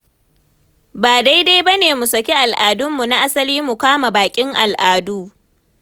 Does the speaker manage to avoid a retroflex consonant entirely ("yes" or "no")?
yes